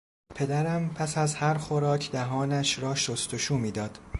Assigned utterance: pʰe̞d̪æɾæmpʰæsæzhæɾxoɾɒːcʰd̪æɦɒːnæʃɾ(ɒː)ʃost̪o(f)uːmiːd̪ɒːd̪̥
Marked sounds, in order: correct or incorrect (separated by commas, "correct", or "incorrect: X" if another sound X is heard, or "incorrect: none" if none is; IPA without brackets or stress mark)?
correct, incorrect: ʃ